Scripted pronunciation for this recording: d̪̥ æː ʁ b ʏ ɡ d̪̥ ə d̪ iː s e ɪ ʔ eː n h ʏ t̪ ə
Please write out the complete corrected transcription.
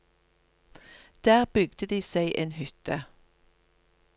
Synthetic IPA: d̪̥ æː ʁ b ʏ ɡ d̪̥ ə d̪ iː s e ɪ ʔ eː n h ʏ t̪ ə